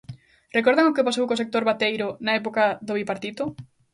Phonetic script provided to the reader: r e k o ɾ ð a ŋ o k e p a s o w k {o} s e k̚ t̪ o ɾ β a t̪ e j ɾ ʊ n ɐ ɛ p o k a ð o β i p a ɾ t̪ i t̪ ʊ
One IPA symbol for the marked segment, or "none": o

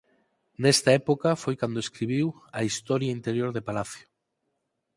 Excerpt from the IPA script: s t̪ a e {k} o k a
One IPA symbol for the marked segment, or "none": p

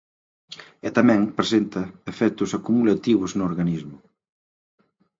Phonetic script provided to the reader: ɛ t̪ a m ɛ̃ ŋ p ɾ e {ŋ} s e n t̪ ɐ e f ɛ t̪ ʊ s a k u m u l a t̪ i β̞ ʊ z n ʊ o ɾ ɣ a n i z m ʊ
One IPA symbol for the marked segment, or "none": none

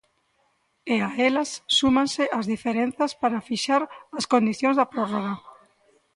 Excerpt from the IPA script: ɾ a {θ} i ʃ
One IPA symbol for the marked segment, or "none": f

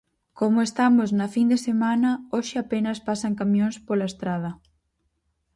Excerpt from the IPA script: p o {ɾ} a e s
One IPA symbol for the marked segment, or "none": l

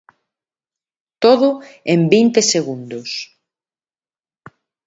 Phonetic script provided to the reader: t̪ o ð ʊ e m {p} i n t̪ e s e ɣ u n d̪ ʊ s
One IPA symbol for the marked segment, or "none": b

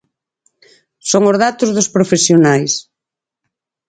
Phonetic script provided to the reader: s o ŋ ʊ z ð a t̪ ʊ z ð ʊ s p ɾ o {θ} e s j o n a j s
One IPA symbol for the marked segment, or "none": f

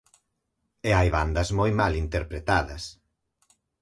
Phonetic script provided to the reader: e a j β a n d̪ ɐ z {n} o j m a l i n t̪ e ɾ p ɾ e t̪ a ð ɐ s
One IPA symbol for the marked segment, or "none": m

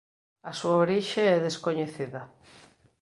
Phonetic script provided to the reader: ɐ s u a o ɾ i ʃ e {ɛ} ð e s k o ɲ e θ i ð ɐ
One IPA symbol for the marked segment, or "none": ɛ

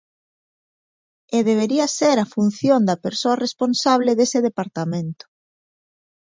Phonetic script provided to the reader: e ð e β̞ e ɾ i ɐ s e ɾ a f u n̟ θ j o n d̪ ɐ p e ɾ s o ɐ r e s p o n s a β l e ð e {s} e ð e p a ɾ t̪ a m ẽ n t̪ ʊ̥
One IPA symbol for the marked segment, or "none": s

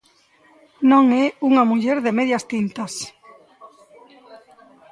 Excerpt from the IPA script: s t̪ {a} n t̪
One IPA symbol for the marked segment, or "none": i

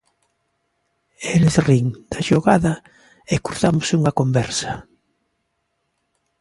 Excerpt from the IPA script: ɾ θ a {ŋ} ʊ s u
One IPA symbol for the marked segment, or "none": m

